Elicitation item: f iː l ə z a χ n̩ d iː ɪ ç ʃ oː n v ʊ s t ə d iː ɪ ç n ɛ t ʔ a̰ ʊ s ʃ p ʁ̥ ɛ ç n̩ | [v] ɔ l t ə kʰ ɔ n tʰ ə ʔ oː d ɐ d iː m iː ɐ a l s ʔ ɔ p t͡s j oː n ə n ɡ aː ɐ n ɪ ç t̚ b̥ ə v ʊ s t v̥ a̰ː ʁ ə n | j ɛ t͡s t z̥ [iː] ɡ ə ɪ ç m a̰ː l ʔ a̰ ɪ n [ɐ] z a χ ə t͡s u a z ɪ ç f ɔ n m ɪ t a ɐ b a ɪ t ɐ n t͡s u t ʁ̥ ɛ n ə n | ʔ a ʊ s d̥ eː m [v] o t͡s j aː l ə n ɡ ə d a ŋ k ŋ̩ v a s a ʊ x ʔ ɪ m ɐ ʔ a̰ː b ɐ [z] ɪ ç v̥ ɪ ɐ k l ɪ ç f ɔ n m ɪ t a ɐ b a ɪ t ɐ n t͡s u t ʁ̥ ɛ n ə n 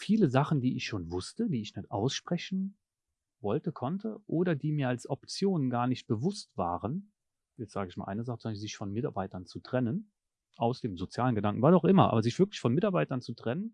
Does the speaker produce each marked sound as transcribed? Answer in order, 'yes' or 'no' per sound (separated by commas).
yes, no, no, no, yes